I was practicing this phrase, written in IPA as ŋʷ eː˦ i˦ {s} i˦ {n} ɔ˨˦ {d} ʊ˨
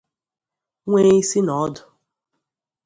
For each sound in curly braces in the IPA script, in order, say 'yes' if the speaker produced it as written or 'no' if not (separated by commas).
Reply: yes, yes, yes